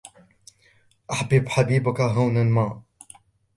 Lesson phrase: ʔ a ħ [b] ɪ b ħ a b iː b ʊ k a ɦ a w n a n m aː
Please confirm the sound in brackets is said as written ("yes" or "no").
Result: yes